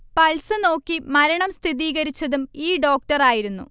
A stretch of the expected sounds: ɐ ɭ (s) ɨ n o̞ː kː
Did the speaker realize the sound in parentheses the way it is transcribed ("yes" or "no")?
yes